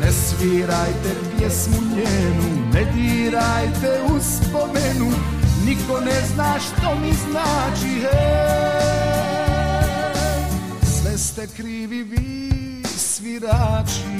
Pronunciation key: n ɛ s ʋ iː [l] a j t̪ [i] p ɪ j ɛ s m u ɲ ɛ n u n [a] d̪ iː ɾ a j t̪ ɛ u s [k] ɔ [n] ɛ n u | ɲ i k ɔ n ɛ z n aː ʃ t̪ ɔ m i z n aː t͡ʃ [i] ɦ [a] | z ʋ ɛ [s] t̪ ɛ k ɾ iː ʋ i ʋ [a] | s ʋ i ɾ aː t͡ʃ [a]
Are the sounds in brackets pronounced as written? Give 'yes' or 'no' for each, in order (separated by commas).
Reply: no, no, no, no, no, yes, no, yes, no, no